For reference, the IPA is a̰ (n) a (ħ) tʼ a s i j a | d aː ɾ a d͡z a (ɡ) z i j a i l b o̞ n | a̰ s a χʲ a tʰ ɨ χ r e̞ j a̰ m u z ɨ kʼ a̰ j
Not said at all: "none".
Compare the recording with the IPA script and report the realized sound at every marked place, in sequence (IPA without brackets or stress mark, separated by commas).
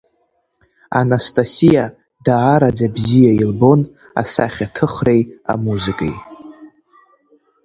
n, s, b